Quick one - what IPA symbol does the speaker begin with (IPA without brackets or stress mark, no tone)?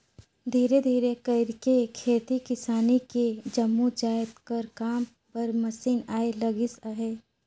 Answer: d̪ʱ